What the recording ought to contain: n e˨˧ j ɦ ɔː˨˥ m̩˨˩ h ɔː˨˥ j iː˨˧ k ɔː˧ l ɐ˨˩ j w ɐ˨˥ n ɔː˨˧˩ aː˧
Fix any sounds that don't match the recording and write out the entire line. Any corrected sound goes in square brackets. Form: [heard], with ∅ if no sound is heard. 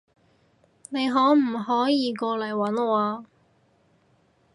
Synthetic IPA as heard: n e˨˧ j ɦ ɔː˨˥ m̩˨˩ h ɔː˨˥ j iː˨˧ k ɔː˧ l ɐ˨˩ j w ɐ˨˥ n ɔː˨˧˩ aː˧